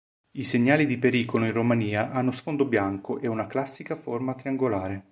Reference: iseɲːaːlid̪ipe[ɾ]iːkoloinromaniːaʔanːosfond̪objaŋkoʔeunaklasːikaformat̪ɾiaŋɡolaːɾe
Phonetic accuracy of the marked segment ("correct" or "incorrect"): correct